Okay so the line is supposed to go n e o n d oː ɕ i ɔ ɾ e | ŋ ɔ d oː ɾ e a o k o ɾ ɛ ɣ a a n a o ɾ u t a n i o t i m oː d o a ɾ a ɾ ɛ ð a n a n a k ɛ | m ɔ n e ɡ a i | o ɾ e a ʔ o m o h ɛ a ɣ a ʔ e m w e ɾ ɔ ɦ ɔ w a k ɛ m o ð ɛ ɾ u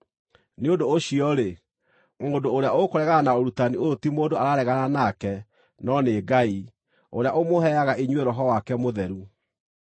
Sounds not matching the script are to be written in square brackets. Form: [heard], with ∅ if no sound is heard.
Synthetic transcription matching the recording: n e o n d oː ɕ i ɔ ɾ e | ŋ [o] d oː ɾ e a o k o ɾ ɛ ɣ a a n a o ɾ u t a n i o t i m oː d o a ɾ a ɾ ɛ [ɣ] a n a n a k ɛ | [n] ɔ n e ɡ a i | o ɾ e a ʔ o m o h ɛ a ɣ a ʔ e [ɲ] w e ɾ ɔ ɦ ɔ w a k ɛ m o ð ɛ ɾ u